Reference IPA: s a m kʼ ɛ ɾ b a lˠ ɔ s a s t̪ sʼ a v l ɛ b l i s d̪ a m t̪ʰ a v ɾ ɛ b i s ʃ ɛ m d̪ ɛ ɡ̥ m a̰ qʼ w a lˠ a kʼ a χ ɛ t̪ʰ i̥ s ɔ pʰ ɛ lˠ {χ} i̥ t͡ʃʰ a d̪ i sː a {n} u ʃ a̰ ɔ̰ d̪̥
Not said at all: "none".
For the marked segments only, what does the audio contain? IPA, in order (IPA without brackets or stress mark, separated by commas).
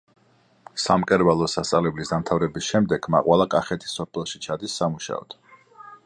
ʃ, m